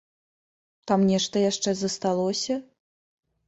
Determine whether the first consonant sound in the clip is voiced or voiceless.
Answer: voiceless